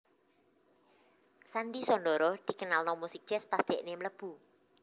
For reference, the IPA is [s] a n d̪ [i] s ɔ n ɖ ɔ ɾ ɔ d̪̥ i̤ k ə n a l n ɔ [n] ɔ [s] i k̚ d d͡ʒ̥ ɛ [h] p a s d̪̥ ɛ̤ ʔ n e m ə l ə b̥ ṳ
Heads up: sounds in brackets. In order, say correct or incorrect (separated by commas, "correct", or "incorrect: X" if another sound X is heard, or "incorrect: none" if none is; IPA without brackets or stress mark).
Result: correct, correct, incorrect: m, correct, incorrect: s